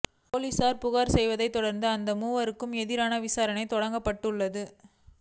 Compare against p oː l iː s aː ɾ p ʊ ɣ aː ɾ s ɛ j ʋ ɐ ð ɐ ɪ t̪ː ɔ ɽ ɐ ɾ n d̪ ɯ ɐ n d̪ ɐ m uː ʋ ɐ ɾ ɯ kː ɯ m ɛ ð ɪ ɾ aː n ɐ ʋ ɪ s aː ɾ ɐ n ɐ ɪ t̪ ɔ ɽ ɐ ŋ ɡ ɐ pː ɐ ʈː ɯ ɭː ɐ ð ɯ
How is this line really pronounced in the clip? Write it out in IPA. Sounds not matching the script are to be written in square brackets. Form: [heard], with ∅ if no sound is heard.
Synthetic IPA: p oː l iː s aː ɾ p ʊ ɣ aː ɾ s ɛ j ʋ ɐ ð ɐ ɪ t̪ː ɔ ɽ ɐ ɾ n d̪ ɯ ɐ n d̪ ɐ m uː ʋ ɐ ɾ ɯ kː ɯ m ɛ ð ɪ ɾ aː n ɐ ʋ ɪ s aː ɾ ɐ n ɐ ɪ t̪ ɔ ɽ ɐ ŋ ɡ ɐ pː ɐ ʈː ɯ ɭː ɐ ð ɯ